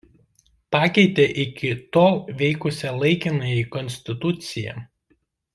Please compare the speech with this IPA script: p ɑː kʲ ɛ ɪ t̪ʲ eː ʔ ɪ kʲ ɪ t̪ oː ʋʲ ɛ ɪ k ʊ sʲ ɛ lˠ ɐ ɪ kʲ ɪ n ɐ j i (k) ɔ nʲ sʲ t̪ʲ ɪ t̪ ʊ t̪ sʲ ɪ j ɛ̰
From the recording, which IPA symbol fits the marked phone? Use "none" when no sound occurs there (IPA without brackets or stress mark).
k